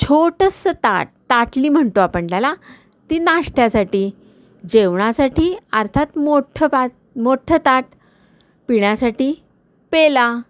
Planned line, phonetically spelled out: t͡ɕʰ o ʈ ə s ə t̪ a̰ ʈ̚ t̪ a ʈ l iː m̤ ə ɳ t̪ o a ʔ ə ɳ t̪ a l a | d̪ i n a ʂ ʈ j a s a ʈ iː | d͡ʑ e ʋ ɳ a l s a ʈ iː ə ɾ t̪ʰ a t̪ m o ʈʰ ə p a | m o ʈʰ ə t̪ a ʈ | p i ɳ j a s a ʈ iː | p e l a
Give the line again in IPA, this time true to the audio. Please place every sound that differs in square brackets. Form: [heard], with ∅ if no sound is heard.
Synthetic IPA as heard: t͡ɕʰ o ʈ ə s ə t̪ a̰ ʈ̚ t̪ a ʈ l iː m̤ ə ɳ t̪ o a [p] ə ɳ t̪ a l a | [t̪] i n a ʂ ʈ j a s a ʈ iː | d͡ʑ e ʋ ɳ a [∅] s a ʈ iː ə ɾ t̪ʰ a t̪ m o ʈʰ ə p a | m o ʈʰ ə t̪ a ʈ | p i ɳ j a s a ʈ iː | p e l a